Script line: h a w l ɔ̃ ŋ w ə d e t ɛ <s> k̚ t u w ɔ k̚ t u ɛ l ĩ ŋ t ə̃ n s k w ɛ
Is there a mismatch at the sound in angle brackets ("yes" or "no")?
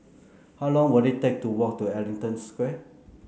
yes